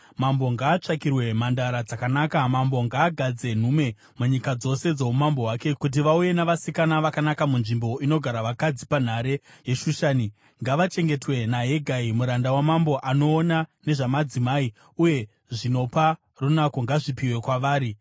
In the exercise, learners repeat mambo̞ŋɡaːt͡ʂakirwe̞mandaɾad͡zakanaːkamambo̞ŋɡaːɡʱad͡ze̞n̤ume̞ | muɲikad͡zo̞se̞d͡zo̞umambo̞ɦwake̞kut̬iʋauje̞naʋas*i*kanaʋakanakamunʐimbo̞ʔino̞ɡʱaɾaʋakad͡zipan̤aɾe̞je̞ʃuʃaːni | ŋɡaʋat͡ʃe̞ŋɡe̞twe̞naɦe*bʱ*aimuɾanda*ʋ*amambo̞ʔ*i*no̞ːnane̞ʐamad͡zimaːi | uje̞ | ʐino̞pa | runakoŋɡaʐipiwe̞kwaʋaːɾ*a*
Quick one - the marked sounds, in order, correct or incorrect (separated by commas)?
correct, incorrect, incorrect, incorrect, incorrect